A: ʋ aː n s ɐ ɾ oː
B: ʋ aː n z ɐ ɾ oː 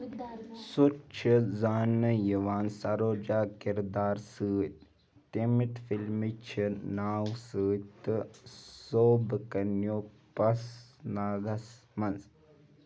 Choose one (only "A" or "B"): A